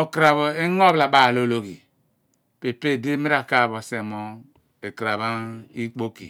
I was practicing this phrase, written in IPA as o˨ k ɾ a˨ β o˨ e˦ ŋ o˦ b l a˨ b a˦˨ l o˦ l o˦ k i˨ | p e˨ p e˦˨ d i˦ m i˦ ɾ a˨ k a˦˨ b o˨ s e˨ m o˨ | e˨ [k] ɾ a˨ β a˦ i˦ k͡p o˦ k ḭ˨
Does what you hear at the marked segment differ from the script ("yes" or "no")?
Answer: no